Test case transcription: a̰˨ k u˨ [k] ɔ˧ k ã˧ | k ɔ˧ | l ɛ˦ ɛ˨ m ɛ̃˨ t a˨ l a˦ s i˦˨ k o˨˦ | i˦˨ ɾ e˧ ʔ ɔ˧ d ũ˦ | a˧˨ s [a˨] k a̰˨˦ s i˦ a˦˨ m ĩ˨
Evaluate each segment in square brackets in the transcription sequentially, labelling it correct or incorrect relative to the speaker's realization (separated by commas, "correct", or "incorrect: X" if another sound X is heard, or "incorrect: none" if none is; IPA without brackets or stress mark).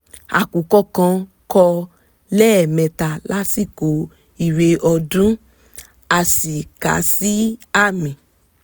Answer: correct, incorrect: i˨